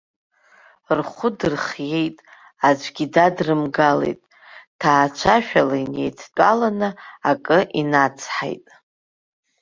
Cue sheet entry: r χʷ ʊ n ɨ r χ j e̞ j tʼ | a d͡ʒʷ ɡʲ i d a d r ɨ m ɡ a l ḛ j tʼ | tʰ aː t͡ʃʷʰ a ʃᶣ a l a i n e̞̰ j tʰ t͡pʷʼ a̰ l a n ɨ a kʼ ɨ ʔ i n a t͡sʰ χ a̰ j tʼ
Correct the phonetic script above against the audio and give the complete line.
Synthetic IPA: r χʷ ʊ d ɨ r χ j e̞ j tʼ | a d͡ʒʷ ɡʲ i d a d r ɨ m ɡ a l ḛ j tʼ | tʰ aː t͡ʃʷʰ a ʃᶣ a l a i n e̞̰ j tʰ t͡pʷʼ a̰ l a n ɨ a kʼ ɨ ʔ i n a t͡sʰ ħ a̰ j tʼ